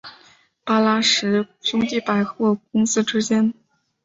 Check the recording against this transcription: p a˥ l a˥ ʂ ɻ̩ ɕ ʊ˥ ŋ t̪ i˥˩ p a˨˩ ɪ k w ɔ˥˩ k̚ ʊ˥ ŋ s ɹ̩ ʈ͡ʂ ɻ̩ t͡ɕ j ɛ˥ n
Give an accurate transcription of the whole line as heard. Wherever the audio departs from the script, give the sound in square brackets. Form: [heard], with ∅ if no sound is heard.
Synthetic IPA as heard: p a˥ l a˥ ʂ ɻ̩ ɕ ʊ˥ ŋ t̪ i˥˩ p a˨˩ ɪ [x] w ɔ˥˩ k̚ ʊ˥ ŋ s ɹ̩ ʈ͡ʂ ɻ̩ t͡ɕ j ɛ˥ n